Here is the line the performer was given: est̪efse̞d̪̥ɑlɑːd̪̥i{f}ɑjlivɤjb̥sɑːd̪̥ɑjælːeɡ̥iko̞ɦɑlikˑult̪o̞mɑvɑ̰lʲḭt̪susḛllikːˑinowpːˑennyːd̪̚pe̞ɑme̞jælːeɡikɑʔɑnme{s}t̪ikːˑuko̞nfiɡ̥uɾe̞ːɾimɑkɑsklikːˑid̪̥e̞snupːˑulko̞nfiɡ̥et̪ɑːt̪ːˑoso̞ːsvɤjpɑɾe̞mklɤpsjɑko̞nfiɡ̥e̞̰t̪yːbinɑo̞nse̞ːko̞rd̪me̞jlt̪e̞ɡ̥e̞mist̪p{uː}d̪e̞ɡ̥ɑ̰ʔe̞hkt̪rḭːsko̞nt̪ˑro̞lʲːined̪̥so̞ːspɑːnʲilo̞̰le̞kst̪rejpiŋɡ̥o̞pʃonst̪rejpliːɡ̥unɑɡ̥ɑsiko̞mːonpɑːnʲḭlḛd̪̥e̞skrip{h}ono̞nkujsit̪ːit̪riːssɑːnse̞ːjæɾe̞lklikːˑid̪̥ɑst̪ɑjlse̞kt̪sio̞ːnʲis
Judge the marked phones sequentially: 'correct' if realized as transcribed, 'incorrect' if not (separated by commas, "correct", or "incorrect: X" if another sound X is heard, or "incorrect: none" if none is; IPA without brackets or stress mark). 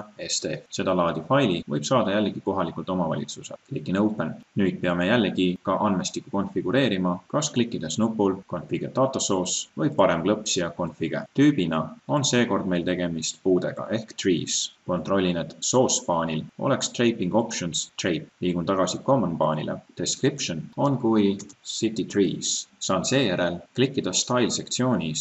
correct, correct, correct, incorrect: ʃ